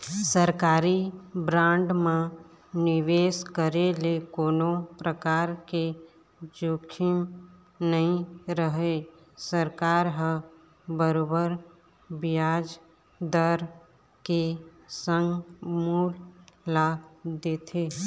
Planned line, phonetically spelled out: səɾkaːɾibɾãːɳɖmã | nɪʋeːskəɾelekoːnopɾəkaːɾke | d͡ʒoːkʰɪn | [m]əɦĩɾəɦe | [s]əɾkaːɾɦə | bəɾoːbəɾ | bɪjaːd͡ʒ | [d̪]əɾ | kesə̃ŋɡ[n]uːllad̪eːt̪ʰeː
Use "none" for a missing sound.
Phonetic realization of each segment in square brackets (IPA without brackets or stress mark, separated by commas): n, s, d̪, m